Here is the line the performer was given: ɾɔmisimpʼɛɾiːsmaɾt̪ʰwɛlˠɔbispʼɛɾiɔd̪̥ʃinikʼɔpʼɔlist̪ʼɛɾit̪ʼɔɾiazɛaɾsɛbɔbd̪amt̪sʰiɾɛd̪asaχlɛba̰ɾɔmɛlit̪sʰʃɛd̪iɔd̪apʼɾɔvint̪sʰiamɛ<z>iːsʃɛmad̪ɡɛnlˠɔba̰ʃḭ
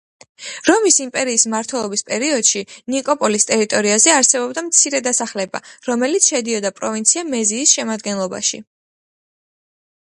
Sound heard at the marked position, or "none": z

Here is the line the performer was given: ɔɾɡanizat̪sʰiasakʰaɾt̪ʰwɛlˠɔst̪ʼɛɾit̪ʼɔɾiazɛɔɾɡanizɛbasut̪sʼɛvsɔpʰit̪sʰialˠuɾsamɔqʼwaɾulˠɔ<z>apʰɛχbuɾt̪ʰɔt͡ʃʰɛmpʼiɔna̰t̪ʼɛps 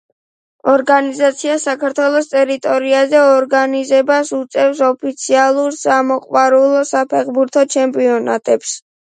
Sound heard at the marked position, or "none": s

